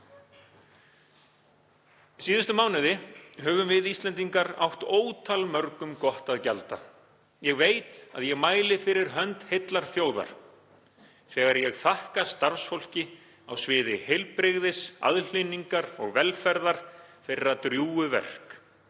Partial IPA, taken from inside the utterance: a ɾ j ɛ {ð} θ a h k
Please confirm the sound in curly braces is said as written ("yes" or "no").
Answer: no